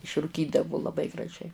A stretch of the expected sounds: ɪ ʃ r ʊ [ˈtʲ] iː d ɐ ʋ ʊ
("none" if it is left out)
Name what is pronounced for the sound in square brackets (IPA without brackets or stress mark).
kʲ